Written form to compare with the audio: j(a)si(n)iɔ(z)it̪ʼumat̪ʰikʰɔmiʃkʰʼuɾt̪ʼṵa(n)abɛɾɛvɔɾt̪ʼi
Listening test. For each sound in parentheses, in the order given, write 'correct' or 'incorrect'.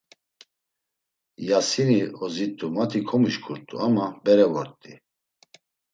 correct, correct, correct, incorrect

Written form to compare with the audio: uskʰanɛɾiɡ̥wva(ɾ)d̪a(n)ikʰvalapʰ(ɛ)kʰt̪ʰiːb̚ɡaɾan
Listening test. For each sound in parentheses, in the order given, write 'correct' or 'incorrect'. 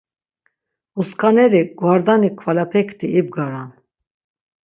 correct, correct, correct

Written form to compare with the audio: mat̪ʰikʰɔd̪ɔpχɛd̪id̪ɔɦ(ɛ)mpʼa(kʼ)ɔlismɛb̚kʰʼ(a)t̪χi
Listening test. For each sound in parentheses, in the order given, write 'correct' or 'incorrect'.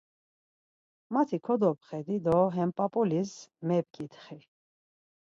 correct, incorrect, incorrect

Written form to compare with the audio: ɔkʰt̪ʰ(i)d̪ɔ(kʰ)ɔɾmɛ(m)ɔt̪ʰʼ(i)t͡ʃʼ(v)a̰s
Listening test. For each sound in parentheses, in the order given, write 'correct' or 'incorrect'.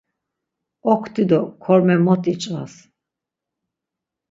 correct, correct, correct, correct, correct

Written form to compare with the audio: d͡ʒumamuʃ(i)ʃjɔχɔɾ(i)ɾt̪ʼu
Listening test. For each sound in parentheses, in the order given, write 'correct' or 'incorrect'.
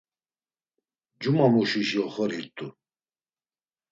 correct, correct

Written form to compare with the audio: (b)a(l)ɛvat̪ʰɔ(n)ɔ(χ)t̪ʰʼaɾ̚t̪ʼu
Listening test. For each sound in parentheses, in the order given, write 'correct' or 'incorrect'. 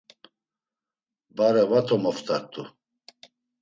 correct, incorrect, incorrect, incorrect

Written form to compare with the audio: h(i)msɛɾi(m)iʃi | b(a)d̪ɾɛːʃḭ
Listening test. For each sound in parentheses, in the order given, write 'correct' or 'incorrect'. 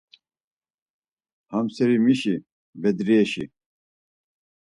incorrect, correct, incorrect

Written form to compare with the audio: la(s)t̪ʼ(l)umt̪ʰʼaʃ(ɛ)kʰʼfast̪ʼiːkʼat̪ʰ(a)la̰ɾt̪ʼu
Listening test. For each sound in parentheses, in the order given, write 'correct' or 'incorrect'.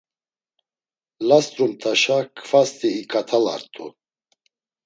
correct, incorrect, incorrect, correct

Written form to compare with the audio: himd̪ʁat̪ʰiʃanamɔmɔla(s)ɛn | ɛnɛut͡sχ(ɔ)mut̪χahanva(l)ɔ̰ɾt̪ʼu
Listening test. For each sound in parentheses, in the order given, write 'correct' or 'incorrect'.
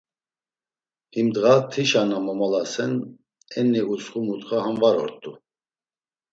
correct, incorrect, incorrect

